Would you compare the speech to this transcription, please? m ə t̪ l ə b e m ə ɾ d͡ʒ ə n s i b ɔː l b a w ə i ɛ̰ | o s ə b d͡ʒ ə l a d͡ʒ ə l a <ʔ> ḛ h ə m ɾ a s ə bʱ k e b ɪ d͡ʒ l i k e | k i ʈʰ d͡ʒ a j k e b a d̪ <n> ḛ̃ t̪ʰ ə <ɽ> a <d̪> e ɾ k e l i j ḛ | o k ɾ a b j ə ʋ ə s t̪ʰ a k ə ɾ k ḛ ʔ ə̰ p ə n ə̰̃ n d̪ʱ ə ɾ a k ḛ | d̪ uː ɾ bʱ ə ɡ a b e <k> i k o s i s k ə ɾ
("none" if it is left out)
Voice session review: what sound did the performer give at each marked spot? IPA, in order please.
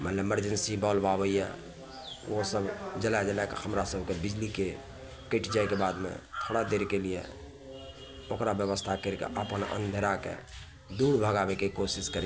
k, m, ɽ, d̪, k

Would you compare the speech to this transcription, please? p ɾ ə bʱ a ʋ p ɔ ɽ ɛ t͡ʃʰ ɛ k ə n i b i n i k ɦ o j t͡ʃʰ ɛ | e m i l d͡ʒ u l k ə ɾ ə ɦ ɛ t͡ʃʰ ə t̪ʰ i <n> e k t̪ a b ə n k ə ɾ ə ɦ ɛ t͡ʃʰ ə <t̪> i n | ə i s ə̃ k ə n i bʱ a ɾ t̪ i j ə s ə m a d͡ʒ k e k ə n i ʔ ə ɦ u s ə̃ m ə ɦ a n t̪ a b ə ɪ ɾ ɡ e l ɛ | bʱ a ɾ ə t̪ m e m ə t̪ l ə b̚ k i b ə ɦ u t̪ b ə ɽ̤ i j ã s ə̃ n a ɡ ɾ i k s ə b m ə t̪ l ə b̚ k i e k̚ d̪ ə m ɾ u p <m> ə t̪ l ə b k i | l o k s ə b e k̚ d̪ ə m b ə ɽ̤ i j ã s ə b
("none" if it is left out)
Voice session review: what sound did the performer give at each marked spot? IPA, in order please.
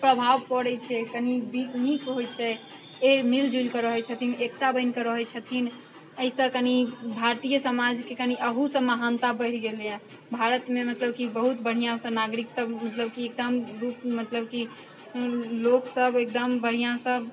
n, t̪ʰ, m

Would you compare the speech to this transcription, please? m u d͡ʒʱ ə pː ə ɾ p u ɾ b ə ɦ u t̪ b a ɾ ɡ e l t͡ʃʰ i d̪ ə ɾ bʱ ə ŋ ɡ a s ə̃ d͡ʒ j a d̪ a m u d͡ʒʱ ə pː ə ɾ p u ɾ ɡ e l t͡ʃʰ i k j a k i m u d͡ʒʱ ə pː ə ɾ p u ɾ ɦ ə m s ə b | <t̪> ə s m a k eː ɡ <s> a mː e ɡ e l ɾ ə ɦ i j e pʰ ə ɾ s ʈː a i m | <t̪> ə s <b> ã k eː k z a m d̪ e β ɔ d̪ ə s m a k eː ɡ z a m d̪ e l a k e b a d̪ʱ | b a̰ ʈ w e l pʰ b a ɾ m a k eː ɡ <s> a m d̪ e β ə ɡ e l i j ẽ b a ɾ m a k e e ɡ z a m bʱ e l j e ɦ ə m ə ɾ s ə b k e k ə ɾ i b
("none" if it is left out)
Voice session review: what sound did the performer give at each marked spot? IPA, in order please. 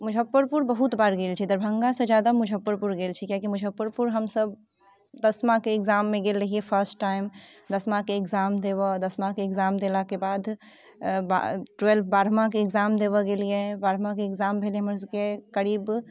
d̪, z, d̪, m, z

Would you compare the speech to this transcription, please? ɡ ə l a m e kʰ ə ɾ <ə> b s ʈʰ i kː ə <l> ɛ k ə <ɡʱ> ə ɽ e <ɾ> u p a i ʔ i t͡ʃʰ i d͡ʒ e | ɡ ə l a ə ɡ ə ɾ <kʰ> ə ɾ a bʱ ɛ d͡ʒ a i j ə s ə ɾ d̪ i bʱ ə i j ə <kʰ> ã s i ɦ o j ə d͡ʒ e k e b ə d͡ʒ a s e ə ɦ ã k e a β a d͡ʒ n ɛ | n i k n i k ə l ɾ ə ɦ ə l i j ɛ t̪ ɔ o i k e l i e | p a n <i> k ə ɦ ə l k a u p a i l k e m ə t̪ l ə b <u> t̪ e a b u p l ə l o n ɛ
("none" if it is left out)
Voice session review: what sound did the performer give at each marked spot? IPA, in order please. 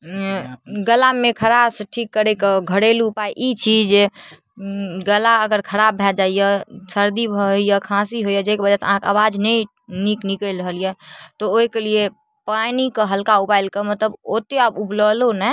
a, ɾ, ɡʱ, l, kʰ, kʰ, i, o

